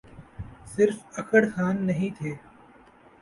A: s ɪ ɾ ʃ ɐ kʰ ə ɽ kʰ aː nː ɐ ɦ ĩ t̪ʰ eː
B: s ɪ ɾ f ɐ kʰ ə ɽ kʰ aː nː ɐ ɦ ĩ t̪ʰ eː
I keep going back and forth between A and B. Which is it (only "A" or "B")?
B